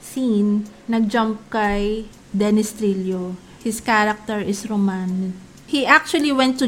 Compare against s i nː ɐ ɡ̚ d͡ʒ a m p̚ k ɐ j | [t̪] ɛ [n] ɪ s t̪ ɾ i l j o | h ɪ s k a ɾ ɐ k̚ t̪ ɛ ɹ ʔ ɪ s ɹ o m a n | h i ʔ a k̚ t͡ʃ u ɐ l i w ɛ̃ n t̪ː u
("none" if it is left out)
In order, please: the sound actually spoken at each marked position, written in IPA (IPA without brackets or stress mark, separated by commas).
d̪, n